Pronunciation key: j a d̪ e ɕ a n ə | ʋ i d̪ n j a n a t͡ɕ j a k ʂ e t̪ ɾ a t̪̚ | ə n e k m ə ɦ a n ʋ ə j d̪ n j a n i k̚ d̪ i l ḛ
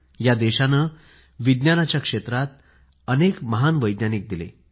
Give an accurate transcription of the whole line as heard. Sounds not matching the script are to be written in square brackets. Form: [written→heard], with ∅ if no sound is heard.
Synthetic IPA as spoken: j a d̪ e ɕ a n ə | ʋ i d̪ n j a n a t͡ɕ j a k ʂ e t̪ ɾ a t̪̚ | ə n e k m ə ɦ a n ʋ ə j d̪ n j a n i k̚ d̪ i l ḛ

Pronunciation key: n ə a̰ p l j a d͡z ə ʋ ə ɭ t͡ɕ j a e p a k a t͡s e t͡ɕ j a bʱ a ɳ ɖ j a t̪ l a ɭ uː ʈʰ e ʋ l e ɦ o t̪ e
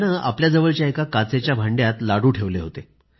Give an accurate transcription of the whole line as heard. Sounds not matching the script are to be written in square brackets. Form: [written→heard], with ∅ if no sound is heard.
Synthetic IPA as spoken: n ə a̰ p l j a d͡z ə ʋ ə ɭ t͡ɕ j a e [p→k] a k a t͡s e t͡ɕ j a bʱ a ɳ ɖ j a t̪ l a [ɭ→ɽ] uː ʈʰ e ʋ l e ɦ o t̪ e

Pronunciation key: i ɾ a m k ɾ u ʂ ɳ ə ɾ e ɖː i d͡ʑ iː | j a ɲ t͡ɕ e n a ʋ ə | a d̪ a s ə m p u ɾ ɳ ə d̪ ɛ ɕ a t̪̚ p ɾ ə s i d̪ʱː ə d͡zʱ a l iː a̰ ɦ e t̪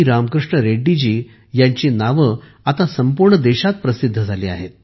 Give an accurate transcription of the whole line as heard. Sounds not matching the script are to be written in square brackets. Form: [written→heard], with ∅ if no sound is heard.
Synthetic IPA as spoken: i ɾ a m k ɾ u ʂ ɳ ə ɾ e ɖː i d͡ʑ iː | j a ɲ t͡ɕ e n a ʋ ə | a [d̪→t̪] a s ə m p u ɾ ɳ ə d̪ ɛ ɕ a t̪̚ p ɾ ə s i d̪ʱː ə d͡zʱ a l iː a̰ ɦ e t̪

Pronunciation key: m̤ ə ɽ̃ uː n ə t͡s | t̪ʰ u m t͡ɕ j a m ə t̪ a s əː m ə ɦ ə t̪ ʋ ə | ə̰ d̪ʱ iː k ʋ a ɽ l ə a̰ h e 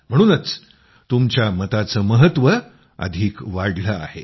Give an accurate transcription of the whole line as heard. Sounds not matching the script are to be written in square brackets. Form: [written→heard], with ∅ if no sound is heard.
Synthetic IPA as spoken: m̤ ə ɽ̃ uː n ə t͡s | [t̪ʰ→t̪] u m t͡ɕ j a m ə t̪ a [s→t͡s] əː m ə ɦ ə t̪ ʋ ə | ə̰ d̪ʱ iː k ʋ a ɽ l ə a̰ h e

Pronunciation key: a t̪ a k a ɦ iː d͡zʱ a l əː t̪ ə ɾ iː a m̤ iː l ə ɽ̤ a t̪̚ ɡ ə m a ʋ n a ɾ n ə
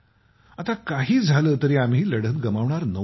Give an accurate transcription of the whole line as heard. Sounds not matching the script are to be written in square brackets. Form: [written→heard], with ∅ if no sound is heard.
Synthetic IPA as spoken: a t̪ a k a ɦ iː d͡zʱ a l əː t̪ ə ɾ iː a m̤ iː l ə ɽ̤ [a→ə] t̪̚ ɡ ə m a ʋ [n→ɳ] a ɾ n ə

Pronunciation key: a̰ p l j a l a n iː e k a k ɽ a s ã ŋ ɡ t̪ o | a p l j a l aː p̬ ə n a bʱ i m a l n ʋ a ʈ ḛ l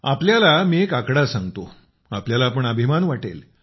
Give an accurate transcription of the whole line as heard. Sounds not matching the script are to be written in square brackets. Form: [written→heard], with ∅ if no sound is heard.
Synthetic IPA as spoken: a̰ p l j a l a [n→m] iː e k a k ɽ a s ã ŋ ɡ t̪ o | a p l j a l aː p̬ ə [n→ɳ] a bʱ i m a [l→∅] n ʋ a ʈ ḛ l

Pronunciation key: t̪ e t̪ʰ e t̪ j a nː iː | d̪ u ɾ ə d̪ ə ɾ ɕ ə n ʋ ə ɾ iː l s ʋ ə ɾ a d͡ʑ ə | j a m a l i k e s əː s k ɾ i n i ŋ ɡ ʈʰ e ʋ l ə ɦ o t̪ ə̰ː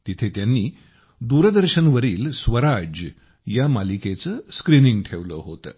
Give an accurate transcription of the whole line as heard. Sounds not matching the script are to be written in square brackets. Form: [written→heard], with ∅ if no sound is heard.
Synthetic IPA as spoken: t̪ [e→i] t̪ʰ e t̪ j a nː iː | d̪ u ɾ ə d̪ ə ɾ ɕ ə n ʋ ə ɾ iː l s ʋ ə ɾ a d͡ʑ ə | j a m a l i k e [s→t͡s] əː s k ɾ i n i ŋ ɡ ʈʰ e ʋ l ə ɦ o t̪ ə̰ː

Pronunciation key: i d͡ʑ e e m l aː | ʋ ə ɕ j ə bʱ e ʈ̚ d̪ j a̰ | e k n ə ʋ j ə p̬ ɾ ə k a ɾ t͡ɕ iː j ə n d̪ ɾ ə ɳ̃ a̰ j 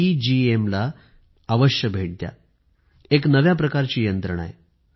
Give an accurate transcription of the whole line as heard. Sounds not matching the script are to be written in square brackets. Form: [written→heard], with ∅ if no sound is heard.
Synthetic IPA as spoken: i d͡ʑ [e→i] e m l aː | ʋ ə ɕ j ə bʱ e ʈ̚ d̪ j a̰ | e k n ə ʋ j [ə→a] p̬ ɾ ə k a ɾ t͡ɕ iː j ə n [d̪→t̪] ɾ ə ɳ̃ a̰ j

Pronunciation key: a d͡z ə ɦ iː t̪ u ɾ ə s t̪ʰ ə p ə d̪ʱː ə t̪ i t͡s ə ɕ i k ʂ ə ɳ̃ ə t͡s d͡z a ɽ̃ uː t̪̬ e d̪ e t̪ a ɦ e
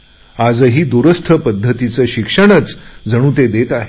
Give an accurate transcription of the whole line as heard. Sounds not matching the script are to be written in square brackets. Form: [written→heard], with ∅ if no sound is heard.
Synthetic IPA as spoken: a d͡z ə ɦ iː [t̪→d̪] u ɾ ə s t̪ʰ ə p ə d̪ʱː ə t̪ i t͡s ə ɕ i k ʂ ə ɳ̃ ə t͡s d͡z [a→ə] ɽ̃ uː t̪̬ e d̪ e t̪ a ɦ e

